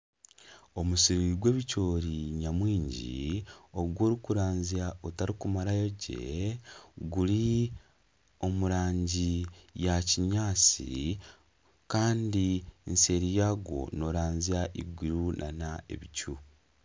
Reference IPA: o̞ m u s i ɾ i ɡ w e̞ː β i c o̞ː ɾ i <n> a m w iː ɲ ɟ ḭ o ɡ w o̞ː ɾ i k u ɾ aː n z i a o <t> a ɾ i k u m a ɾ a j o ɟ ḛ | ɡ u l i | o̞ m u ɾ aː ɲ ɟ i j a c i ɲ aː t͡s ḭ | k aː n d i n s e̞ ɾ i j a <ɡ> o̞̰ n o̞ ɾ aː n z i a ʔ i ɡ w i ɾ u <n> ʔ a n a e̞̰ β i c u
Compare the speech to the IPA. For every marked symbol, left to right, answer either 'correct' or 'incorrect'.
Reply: incorrect, correct, correct, correct

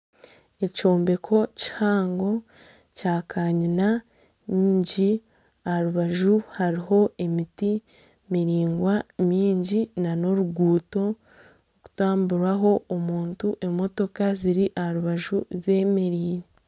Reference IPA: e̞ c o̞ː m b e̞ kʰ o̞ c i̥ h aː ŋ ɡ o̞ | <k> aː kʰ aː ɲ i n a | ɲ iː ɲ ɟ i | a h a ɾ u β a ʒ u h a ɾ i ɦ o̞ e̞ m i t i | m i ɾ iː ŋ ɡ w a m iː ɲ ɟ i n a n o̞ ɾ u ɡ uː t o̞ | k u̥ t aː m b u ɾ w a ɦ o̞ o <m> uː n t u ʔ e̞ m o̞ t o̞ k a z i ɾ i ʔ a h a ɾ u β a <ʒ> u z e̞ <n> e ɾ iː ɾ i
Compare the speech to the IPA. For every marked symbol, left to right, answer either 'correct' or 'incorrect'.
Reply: incorrect, correct, correct, incorrect

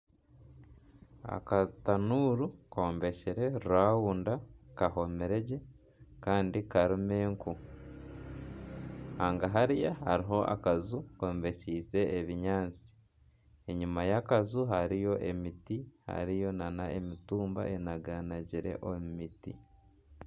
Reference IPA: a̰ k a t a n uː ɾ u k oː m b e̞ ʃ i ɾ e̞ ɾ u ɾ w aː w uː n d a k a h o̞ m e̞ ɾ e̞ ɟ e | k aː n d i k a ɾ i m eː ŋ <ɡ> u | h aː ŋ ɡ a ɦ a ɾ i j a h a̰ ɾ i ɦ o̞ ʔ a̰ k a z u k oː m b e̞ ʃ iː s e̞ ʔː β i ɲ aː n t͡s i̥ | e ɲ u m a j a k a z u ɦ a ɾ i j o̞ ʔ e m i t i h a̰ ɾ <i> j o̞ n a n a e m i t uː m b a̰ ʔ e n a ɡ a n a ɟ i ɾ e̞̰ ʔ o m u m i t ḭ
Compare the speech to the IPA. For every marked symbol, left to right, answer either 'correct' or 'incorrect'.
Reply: incorrect, correct

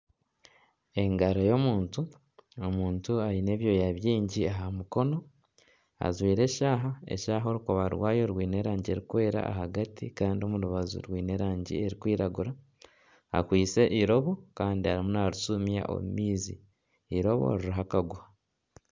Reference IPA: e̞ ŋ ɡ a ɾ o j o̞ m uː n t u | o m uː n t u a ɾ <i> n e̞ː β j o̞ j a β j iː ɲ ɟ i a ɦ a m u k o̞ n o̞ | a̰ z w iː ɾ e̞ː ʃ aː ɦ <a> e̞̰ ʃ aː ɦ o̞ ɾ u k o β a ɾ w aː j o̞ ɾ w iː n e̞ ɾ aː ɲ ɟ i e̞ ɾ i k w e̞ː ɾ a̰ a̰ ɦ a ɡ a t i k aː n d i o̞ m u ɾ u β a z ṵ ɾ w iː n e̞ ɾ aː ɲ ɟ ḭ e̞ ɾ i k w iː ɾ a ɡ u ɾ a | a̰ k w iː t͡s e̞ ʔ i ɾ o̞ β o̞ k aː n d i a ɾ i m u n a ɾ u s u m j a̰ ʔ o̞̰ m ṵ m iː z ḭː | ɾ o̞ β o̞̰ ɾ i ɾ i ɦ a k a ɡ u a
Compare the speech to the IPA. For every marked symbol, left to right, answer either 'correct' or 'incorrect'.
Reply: correct, correct

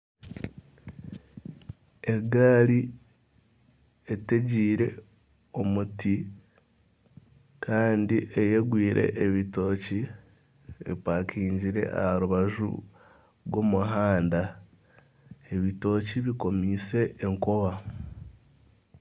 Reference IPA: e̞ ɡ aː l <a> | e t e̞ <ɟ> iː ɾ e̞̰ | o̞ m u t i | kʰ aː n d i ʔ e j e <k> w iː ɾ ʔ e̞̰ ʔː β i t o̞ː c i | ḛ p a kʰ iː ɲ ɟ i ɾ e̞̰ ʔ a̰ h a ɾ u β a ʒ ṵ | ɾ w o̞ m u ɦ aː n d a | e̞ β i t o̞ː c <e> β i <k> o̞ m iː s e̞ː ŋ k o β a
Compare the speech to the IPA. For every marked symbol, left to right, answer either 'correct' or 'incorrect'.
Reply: incorrect, correct, incorrect, incorrect, correct

